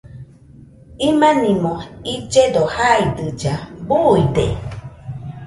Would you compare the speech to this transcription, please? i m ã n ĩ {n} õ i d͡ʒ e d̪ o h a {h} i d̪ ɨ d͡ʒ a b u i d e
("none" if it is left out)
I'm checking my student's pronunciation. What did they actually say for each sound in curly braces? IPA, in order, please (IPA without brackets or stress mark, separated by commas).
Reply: m, none